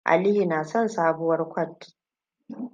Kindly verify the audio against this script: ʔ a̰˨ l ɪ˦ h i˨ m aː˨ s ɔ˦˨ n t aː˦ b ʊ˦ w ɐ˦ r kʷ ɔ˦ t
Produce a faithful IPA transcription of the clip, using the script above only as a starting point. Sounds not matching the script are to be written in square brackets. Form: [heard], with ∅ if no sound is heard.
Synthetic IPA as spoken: ʔ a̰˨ l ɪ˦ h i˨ [n] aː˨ s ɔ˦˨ n [s] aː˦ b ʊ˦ w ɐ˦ r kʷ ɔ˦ t

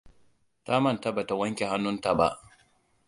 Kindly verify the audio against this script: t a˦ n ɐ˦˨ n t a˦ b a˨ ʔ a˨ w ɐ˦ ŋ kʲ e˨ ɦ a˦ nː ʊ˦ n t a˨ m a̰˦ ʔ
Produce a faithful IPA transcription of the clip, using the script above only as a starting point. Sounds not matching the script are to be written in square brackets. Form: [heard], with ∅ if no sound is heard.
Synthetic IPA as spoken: t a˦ [m] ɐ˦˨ n t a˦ b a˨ [t] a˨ w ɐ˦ ŋ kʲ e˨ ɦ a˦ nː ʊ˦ n t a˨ [b] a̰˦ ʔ

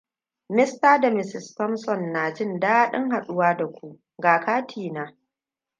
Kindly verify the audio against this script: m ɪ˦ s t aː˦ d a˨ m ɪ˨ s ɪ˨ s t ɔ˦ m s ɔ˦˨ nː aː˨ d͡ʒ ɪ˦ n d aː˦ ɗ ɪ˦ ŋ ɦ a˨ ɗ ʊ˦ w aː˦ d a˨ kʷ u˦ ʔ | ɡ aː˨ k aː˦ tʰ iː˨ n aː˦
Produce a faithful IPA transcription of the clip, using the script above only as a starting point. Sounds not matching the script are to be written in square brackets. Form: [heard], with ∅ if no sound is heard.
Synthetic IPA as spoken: m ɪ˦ s t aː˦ d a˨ m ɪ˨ s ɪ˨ s t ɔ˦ m s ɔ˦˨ nː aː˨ d͡ʒ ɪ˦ n d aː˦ ɗ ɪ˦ ŋ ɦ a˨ ɗ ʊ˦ w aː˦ d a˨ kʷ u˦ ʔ | ɡ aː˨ k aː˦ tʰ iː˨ n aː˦

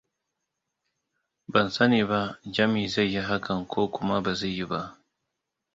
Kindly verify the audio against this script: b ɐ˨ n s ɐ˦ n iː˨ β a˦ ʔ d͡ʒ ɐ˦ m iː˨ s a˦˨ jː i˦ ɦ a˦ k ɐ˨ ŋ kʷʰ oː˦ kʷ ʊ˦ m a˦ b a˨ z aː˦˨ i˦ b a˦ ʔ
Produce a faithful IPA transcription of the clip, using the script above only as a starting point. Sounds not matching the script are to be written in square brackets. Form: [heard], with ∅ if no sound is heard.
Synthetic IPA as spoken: b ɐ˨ n s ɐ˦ n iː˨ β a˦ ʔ d͡ʒ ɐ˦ m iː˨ [z] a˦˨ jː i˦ ɦ a˦ k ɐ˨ ŋ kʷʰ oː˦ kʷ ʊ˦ m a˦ b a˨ z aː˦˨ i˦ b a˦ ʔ

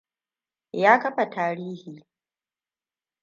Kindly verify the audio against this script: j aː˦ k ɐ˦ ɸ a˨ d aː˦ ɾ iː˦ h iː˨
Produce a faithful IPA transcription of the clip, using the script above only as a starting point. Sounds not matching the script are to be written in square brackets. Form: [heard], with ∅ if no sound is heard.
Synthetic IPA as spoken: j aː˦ k ɐ˦ ɸ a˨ [t] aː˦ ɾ iː˦ h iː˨

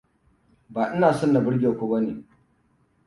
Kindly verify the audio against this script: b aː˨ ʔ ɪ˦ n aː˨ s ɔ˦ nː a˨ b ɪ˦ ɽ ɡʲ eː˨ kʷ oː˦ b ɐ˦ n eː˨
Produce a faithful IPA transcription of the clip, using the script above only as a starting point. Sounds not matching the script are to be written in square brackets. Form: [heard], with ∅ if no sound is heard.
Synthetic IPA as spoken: b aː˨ ʔ ɪ˦ n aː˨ s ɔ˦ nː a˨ b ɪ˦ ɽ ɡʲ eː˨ kʷ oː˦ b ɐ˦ n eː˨

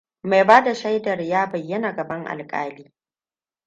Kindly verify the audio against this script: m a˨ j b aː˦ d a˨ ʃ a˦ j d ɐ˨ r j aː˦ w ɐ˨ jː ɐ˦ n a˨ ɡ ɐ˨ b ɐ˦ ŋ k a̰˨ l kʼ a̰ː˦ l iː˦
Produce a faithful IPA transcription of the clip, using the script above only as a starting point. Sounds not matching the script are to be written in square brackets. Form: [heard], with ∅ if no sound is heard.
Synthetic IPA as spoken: m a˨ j b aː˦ d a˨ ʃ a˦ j d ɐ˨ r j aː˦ [b] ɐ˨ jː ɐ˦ n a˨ ɡ ɐ˨ b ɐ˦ ŋ [ʔ] a̰˨ l kʼ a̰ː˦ l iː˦

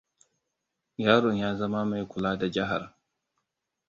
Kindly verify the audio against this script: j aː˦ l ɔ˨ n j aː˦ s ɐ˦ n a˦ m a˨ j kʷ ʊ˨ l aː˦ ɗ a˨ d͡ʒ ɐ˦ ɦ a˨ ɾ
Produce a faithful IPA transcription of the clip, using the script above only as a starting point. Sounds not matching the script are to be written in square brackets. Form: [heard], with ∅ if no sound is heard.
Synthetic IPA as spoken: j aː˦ [ɾ] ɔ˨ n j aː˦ [z] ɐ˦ [m] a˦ m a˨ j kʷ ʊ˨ l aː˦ [d] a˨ d͡ʒ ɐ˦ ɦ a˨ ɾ

